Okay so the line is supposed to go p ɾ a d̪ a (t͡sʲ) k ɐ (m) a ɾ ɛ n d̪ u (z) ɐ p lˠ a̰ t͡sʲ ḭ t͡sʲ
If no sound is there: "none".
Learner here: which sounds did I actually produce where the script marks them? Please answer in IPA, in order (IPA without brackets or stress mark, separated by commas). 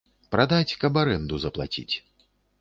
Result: t͡sʲ, b, z